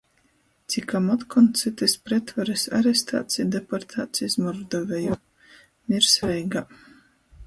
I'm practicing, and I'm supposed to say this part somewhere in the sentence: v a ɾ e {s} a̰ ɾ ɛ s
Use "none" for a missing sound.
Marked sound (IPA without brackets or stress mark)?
s